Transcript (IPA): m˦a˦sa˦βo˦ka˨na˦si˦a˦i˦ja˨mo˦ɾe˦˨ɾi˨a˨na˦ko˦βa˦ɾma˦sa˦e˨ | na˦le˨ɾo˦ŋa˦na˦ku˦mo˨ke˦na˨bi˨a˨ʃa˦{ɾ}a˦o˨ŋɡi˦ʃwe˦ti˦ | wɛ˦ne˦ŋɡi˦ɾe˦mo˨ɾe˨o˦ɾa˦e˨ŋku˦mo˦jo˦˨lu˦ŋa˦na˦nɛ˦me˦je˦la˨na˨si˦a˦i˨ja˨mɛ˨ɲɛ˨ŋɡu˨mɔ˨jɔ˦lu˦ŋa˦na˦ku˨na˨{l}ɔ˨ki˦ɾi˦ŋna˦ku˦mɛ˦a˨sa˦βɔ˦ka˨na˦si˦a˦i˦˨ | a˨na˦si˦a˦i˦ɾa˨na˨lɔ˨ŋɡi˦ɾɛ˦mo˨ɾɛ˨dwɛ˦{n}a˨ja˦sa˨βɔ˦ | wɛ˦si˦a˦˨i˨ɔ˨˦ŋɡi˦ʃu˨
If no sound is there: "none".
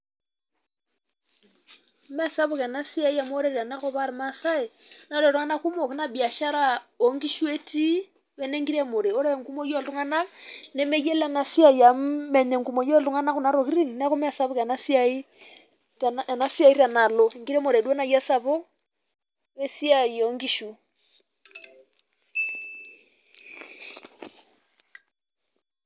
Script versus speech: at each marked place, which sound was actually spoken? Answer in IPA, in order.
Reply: ɾ, ɾ, n

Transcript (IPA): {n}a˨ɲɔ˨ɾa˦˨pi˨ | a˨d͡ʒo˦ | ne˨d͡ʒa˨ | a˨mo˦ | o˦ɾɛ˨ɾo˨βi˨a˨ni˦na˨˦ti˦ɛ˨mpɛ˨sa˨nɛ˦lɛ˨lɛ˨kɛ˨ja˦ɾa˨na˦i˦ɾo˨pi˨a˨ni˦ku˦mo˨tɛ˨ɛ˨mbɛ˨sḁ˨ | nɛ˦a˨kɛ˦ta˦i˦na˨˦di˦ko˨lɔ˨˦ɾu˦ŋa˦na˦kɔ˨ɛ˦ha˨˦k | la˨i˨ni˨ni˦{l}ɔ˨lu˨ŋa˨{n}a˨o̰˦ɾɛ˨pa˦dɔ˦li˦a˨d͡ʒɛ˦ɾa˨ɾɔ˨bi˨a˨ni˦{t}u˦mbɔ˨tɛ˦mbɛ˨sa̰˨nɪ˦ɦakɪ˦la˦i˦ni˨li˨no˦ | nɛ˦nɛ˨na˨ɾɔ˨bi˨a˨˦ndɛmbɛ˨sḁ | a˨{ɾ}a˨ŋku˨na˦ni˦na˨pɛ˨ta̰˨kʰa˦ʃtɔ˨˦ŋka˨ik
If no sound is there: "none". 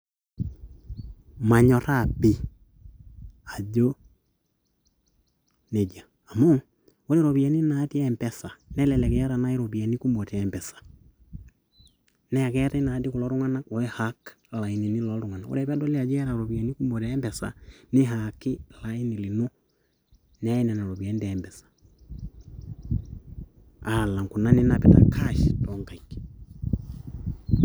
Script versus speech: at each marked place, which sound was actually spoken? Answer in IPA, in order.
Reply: m, l, n, k, l

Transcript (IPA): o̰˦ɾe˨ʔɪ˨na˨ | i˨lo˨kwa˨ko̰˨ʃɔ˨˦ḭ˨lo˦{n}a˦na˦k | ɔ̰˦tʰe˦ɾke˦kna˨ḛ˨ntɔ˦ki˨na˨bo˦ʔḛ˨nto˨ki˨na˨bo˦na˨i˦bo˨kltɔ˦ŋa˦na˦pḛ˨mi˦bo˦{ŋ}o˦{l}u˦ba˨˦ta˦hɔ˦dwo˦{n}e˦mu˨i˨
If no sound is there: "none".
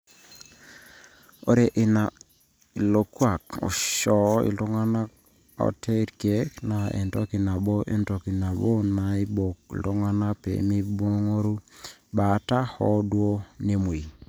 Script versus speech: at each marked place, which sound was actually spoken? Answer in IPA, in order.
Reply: ŋ, ŋ, ɾ, n

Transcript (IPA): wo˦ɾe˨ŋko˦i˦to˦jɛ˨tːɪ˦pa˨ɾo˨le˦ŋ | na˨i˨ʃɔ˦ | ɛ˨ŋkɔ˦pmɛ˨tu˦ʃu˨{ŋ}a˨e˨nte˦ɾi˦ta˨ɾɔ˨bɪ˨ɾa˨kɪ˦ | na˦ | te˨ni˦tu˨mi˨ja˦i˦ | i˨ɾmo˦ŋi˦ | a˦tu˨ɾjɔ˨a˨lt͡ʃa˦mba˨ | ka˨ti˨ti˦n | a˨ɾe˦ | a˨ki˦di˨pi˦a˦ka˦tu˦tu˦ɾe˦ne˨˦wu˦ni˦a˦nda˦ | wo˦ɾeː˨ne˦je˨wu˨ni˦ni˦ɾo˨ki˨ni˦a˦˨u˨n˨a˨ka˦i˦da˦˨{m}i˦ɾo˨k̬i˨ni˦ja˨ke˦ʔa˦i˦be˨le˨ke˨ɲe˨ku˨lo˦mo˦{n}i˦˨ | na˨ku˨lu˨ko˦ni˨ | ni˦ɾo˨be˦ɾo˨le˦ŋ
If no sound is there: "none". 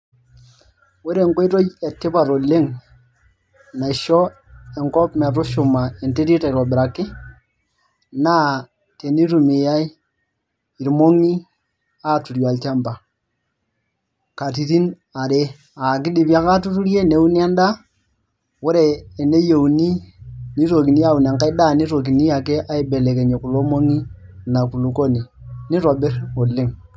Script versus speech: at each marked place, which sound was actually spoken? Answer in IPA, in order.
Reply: m, n, ŋ

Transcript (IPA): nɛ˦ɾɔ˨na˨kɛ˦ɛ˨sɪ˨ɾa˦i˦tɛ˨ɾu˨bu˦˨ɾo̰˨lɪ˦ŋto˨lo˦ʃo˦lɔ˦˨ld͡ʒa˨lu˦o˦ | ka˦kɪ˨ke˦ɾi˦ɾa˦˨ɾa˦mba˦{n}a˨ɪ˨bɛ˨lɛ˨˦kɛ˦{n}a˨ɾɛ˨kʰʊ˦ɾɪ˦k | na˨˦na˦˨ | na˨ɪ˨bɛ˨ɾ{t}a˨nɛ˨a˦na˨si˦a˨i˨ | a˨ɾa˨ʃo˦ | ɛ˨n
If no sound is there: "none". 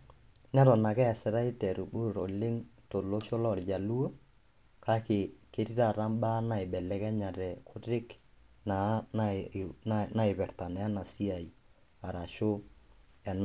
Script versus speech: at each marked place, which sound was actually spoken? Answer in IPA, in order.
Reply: n, ɲ, t

